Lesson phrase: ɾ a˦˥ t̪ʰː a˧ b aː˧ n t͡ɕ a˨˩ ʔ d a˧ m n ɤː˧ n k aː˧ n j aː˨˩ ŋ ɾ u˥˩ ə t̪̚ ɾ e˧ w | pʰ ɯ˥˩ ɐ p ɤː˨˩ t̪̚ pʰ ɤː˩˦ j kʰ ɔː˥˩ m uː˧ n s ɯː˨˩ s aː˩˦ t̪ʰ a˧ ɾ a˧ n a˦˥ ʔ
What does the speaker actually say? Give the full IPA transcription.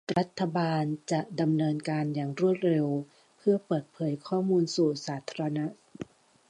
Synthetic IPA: ɾ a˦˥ t̪ʰː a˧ b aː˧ n t͡ɕ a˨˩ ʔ d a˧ m n ɤː˧ n k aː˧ n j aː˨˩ ŋ ɾ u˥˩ ə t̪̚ ɾ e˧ w | pʰ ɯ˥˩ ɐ p ɤː˨˩ t̪̚ pʰ ɤː˩˦ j kʰ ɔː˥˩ m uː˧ n s uː˨˩ s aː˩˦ t̪ʰ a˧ ɾ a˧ n a˦˥ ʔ